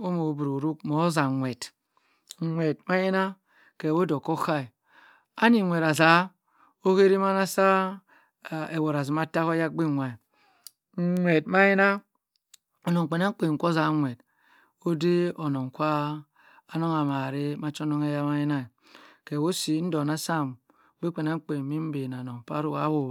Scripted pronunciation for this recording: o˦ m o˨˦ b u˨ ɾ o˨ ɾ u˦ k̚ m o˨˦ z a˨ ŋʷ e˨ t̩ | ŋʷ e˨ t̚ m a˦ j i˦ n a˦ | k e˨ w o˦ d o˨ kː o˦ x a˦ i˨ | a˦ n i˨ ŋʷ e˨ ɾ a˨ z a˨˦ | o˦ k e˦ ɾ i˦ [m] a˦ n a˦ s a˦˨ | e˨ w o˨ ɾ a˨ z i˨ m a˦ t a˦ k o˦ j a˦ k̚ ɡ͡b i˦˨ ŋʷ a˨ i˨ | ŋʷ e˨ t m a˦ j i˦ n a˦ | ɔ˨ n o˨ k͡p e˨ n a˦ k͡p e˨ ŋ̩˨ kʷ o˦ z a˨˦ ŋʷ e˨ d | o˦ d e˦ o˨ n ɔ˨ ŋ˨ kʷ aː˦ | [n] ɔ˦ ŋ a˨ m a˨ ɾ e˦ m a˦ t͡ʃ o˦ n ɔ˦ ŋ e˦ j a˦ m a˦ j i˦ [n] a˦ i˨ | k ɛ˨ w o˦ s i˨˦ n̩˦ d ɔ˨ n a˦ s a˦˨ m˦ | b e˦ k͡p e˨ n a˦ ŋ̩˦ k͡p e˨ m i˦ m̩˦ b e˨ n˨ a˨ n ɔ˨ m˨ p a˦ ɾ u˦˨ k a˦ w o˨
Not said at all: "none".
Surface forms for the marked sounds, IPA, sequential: m, n, n

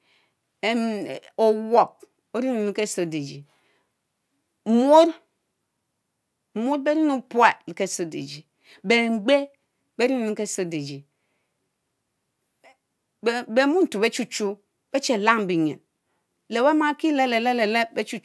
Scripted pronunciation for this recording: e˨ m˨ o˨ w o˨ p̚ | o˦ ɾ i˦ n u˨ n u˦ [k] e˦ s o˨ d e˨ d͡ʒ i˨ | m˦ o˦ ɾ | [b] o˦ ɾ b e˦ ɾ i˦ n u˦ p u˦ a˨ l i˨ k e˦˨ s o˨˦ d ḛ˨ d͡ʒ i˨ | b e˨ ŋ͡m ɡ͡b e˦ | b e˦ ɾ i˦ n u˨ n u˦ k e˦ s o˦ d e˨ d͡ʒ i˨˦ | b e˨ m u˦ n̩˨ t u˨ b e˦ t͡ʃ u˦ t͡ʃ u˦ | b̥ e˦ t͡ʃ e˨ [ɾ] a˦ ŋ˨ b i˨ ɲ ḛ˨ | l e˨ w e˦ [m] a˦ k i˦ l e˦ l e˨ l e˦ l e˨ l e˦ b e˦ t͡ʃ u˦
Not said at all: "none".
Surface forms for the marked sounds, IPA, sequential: k, m, l, m

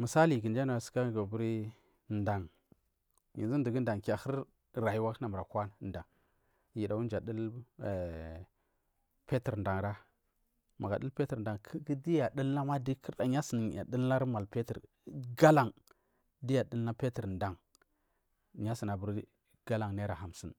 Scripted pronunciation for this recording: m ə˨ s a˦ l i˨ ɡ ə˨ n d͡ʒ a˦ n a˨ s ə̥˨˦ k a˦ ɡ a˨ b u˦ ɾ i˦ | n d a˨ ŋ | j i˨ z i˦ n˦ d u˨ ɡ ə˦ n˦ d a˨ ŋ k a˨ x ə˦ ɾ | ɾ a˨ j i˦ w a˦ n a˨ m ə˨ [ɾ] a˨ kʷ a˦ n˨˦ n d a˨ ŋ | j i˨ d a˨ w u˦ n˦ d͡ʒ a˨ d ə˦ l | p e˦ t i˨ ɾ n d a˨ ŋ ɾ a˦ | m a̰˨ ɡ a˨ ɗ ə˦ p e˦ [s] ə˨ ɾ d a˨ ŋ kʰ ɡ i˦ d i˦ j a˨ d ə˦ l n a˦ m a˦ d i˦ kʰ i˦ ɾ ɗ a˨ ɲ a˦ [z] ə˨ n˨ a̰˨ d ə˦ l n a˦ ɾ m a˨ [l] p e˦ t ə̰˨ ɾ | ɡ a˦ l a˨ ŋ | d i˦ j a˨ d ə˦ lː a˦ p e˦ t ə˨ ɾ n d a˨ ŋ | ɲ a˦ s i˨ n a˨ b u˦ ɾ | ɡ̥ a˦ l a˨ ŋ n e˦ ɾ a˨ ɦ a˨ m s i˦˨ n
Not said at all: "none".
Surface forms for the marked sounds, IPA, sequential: ɾ, t, s, l

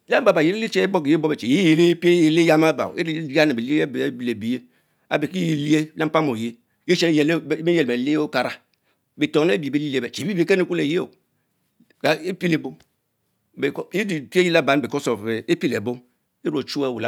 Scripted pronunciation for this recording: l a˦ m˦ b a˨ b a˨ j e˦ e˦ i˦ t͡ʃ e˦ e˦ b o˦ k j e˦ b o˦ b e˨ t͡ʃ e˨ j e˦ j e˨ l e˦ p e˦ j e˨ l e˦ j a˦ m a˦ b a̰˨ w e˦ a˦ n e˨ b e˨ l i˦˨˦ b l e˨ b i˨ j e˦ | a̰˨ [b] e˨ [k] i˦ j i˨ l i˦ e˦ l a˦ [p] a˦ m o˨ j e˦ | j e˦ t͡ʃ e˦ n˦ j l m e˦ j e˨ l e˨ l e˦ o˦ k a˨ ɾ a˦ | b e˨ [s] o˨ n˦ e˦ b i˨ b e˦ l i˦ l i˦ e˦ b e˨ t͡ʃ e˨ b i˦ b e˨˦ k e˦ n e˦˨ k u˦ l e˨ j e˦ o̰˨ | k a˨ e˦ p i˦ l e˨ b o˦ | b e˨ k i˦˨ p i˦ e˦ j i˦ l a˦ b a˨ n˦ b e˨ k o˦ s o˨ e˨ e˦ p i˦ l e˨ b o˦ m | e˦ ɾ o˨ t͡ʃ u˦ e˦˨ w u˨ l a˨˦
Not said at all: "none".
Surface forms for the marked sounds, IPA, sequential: b, k, p, t

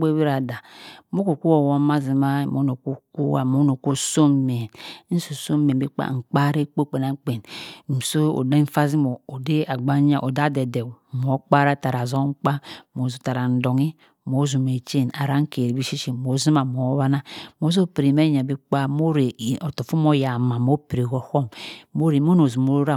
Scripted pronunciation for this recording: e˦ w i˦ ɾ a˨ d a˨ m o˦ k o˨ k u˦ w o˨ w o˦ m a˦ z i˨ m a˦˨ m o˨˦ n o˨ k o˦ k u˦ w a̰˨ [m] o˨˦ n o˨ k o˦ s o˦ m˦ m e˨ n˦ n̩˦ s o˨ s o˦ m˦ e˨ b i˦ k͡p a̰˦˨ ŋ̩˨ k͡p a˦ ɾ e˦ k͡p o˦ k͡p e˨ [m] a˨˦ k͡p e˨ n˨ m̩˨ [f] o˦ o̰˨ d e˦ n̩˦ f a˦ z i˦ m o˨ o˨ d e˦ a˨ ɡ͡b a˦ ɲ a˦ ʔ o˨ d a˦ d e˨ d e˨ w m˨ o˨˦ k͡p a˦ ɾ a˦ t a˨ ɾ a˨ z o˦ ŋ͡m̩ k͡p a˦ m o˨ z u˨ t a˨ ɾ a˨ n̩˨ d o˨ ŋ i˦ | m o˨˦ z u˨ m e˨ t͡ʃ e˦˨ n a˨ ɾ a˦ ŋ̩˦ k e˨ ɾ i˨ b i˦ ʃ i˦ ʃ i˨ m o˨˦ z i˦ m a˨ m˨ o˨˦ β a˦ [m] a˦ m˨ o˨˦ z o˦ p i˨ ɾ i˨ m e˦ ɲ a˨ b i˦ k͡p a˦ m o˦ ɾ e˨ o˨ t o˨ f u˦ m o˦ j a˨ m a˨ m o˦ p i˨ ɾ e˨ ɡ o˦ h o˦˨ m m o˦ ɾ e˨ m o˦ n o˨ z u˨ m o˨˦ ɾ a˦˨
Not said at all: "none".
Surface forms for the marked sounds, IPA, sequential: m, n, s, n

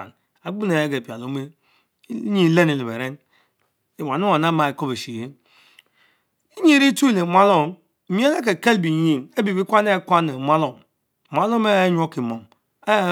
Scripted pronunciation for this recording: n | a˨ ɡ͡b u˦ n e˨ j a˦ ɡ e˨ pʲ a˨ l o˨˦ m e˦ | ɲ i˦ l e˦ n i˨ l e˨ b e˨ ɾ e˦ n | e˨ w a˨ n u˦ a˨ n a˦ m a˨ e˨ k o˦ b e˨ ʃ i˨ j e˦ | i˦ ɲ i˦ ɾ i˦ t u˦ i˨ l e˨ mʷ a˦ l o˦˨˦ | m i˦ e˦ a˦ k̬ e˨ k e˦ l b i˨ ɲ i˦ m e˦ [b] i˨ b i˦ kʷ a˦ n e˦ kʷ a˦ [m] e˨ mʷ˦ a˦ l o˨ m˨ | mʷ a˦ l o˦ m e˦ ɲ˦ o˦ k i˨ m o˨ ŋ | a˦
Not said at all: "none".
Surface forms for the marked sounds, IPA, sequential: b, n

